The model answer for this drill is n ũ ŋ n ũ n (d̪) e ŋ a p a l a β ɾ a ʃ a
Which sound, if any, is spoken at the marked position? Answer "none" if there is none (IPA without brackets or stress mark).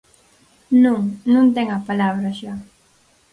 t̪